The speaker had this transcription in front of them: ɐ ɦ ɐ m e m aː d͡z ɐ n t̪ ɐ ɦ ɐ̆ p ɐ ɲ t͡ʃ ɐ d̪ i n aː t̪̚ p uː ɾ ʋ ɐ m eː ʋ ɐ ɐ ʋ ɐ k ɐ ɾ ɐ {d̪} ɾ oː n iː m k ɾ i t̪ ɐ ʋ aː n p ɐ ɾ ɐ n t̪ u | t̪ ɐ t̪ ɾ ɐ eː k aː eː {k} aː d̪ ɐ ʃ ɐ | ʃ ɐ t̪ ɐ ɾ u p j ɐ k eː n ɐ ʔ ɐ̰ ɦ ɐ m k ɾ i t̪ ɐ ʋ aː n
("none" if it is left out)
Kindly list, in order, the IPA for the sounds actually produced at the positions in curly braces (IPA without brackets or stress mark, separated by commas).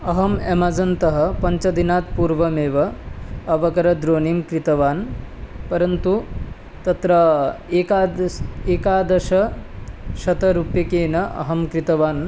d̪, k